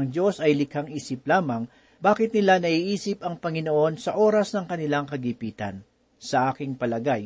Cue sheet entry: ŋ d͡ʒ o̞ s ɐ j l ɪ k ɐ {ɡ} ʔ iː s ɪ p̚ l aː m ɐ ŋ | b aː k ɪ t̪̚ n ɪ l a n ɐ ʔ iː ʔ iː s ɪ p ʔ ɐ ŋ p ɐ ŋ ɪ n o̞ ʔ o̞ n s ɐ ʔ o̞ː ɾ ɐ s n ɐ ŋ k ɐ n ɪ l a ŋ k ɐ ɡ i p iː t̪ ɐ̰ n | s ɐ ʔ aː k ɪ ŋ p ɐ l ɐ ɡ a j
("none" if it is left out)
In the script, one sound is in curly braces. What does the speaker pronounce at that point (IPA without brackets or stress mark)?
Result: ŋ